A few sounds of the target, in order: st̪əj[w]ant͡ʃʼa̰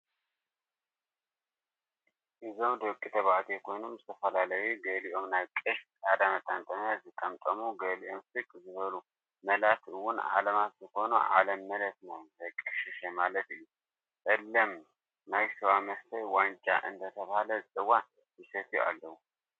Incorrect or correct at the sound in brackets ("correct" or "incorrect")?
correct